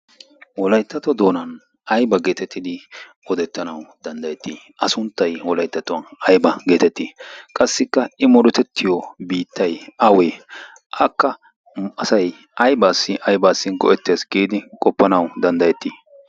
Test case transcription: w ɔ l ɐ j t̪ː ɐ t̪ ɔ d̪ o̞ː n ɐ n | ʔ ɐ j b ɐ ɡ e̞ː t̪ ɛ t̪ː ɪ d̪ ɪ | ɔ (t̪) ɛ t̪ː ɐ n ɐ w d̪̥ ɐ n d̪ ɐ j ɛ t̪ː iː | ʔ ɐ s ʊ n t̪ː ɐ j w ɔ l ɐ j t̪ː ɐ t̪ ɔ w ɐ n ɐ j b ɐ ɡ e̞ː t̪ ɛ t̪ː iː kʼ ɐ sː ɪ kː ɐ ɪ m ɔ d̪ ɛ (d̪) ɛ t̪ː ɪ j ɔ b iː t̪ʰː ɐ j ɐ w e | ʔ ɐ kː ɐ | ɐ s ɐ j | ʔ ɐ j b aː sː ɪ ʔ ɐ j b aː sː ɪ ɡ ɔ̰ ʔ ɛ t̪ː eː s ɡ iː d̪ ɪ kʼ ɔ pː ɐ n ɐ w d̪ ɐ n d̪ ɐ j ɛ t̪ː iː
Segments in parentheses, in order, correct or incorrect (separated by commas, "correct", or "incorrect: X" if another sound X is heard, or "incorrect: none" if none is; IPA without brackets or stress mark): incorrect: d̪, incorrect: t̪